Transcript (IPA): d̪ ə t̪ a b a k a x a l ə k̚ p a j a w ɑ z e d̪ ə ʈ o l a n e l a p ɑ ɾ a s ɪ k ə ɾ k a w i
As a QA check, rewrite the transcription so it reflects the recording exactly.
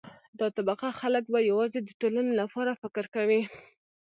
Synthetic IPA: d̪ ɑ t̪ a b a q a x a l ə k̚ b a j a w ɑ z e d̪ ə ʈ o l a n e l a p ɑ ɾ a f ɪ k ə ɾ k a w i